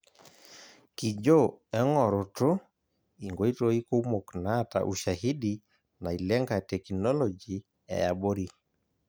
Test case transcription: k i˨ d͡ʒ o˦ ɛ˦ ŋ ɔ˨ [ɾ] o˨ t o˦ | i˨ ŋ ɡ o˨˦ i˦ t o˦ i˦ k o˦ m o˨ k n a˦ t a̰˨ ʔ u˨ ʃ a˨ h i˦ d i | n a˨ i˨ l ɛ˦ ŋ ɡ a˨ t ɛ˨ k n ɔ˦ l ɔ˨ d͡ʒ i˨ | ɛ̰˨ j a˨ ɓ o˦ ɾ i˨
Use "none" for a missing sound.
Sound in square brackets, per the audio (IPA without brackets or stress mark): ɾ